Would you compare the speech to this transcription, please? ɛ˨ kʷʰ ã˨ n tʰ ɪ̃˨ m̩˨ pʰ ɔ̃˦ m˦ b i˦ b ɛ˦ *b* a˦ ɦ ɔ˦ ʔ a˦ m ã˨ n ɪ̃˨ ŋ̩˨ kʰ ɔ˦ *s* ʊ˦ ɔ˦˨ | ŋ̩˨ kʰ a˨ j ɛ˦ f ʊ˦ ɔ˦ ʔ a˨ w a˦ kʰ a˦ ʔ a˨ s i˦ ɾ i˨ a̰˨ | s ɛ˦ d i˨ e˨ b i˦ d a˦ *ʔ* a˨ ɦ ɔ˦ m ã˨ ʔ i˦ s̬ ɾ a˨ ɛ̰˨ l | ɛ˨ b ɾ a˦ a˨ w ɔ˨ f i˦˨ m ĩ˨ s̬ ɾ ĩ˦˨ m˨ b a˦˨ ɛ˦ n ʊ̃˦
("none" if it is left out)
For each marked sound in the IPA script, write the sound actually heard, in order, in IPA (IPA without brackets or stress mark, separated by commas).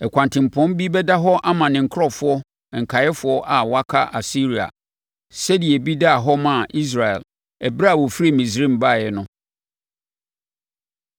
d, f, none